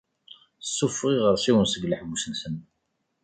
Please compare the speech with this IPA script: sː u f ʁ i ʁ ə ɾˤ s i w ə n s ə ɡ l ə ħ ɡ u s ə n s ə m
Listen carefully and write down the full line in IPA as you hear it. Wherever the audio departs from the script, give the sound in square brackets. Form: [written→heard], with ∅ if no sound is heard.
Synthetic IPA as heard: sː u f ʁ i ʁ ə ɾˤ s i w ə n s ə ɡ l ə ħ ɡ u s ə n s ə [m→n]